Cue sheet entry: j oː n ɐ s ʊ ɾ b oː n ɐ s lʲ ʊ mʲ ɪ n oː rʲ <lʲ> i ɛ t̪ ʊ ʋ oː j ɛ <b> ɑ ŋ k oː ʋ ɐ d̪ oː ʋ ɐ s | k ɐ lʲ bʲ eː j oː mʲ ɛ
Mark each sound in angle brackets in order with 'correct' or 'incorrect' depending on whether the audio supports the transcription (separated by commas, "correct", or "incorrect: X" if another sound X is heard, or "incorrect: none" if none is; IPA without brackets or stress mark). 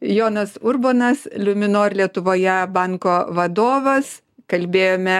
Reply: correct, correct